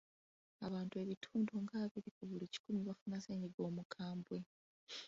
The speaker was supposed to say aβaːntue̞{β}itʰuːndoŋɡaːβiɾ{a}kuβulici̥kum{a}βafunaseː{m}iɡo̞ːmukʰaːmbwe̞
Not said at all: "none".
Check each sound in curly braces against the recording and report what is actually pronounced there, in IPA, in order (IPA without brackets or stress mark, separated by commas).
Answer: β, i, i, ɲ